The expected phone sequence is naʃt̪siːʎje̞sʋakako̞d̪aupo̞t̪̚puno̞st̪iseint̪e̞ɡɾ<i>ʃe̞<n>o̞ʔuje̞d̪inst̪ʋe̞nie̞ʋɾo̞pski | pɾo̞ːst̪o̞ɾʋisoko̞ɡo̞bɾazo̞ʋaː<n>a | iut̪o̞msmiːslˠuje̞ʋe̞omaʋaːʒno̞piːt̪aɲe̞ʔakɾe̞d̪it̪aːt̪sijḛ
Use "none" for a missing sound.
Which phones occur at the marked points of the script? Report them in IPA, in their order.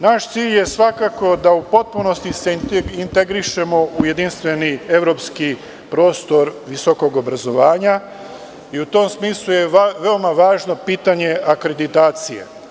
i, m, ɲ

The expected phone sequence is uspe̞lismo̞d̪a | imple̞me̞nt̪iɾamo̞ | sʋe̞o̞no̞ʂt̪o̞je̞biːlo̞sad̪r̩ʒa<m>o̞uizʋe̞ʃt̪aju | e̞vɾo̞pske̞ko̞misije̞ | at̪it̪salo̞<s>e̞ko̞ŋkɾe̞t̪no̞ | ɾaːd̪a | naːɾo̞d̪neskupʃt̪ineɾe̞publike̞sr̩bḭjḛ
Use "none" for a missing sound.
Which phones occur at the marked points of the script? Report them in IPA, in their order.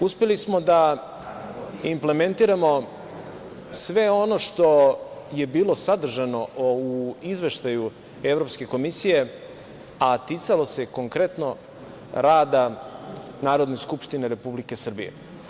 n, s

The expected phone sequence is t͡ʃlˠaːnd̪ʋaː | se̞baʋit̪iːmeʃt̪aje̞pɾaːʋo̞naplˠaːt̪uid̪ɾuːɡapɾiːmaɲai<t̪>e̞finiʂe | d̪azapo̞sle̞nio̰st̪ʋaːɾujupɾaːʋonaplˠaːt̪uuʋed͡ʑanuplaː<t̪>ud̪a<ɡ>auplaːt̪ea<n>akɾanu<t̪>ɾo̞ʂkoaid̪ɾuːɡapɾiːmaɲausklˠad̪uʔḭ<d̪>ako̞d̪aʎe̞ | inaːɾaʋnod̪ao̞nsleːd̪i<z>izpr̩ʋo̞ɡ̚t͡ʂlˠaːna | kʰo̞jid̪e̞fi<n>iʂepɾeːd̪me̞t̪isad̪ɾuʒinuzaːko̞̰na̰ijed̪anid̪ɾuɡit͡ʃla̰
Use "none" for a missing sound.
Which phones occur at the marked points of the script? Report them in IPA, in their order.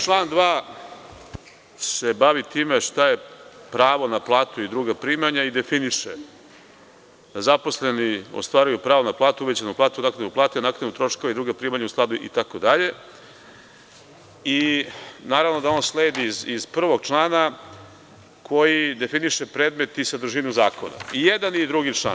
d̪, t̪, k, n, t̪, t̪, z, n

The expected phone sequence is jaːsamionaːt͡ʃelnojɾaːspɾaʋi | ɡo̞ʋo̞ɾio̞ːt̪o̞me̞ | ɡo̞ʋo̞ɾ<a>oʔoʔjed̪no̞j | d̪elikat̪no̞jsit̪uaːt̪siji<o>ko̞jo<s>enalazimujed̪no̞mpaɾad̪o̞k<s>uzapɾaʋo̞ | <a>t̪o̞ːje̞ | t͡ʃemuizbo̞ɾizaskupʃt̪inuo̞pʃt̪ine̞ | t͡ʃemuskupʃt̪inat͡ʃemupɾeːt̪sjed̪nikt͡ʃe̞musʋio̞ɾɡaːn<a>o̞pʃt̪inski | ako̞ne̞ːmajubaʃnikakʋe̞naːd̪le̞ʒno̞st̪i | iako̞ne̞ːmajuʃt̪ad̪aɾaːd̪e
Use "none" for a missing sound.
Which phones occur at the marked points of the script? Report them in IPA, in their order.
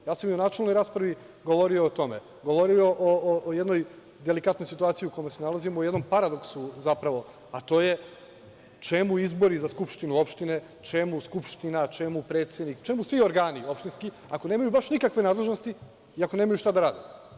i, u, s, s, a, i

